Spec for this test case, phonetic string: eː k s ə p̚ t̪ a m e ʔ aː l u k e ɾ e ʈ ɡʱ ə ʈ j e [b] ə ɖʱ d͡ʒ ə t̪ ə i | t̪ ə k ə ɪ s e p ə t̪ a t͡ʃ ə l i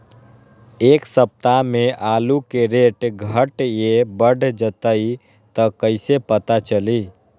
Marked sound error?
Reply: no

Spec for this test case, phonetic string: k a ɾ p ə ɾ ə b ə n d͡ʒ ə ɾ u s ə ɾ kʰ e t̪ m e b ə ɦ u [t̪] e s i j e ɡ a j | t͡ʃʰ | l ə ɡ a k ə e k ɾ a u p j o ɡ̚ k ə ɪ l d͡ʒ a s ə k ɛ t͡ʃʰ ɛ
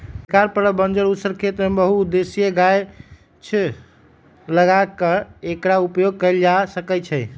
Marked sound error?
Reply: yes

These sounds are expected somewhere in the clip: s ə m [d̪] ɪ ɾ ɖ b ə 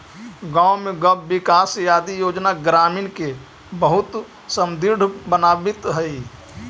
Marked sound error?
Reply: no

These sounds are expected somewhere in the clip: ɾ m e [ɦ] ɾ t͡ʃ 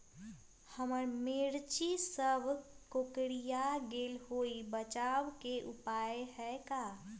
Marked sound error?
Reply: yes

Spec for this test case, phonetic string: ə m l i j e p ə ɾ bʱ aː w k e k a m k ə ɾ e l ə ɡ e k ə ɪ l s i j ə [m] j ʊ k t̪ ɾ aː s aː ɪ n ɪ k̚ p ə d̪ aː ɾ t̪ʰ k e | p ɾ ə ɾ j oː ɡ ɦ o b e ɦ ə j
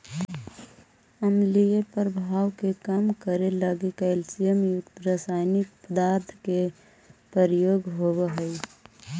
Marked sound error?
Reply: no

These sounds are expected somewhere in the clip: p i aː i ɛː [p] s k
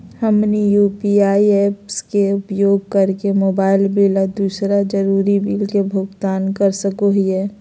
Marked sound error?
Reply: no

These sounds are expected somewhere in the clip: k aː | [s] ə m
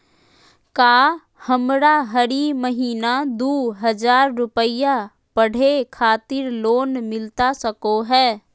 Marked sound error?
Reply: yes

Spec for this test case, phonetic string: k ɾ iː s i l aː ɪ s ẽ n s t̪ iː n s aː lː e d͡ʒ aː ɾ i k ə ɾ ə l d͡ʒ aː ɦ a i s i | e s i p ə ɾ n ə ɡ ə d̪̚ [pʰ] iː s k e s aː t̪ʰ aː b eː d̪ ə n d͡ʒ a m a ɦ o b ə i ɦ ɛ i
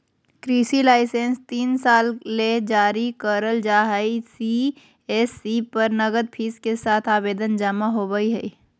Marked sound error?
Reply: no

